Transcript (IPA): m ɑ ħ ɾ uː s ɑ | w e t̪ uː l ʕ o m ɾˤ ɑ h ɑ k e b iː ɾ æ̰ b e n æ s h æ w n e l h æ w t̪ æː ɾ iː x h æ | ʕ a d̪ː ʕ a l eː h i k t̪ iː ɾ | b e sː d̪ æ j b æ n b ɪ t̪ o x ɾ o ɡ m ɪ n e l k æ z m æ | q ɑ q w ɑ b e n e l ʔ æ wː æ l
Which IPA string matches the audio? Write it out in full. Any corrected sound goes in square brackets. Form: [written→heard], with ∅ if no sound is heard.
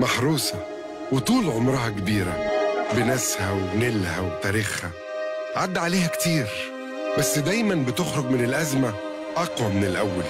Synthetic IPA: m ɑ ħ ɾ uː s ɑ | w e t̪ uː l ʕ o m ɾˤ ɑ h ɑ k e b iː ɾ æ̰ b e n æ s h æ w n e l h æ w t̪ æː ɾ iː x h æ | ʕ a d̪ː ʕ a l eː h [i→æ] k t̪ iː ɾ | b [e→æ] sː d̪ æ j [b→m] æ n b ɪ t̪ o x ɾ o ɡ m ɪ n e l [k→ʔ] æ z m æ | [q→ʔ] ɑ q w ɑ [b→m] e n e l ʔ æ wː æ l